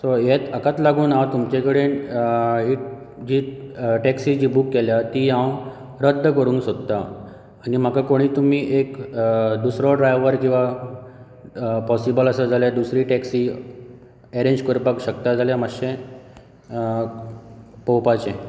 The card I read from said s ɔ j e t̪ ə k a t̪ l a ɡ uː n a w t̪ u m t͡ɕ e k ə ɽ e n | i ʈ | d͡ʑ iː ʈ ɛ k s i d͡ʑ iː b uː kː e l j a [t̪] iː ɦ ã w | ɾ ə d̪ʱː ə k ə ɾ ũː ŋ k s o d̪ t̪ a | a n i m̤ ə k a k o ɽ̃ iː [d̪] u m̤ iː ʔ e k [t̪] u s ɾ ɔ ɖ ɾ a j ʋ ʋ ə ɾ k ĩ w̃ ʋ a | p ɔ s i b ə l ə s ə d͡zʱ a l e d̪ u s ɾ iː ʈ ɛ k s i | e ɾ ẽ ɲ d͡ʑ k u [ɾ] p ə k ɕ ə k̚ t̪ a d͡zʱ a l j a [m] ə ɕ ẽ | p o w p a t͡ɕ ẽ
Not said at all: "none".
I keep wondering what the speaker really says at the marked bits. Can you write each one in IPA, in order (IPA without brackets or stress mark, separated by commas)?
t̪, t̪, d̪, ɾ, m